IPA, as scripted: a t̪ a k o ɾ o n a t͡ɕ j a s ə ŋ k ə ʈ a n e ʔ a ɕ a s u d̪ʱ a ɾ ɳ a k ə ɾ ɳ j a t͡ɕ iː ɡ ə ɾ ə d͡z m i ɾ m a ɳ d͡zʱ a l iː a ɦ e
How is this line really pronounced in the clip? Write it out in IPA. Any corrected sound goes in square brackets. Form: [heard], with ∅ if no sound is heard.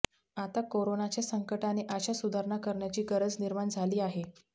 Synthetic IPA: a t̪ a k o ɾ o n a t͡ɕ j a s ə ŋ k ə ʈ a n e ʔ a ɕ a s u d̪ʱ a ɾ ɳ a k ə ɾ ɳ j a t͡ɕ iː ɡ ə ɾ ə d͡z [n] i ɾ m a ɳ d͡zʱ a l iː a ɦ e